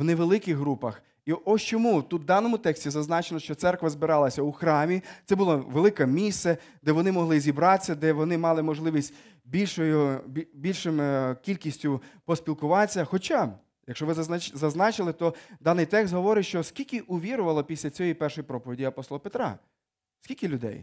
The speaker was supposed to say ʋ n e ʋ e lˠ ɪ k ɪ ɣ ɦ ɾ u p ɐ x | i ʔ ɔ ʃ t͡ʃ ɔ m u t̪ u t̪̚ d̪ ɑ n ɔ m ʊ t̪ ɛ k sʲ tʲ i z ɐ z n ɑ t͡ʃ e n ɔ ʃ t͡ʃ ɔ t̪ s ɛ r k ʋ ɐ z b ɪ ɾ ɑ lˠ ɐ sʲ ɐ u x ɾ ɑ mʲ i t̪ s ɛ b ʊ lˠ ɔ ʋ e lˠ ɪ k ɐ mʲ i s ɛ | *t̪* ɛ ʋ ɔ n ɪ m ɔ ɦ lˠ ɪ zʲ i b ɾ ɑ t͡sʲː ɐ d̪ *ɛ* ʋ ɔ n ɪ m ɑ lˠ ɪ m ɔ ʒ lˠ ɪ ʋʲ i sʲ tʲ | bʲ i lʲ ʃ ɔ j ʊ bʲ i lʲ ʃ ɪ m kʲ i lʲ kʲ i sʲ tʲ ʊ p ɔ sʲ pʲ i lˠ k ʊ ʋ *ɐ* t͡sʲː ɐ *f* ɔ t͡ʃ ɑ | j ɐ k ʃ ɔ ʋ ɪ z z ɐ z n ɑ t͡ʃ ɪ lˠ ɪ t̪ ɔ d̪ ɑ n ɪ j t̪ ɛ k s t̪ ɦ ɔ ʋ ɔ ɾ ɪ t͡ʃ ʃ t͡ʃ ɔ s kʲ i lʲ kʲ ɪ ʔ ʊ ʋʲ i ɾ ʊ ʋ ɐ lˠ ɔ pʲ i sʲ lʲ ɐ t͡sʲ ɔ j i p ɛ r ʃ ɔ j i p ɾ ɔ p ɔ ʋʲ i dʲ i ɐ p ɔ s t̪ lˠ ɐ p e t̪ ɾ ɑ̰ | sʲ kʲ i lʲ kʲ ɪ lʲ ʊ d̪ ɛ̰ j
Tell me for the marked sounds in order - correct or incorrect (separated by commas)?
incorrect, correct, incorrect, incorrect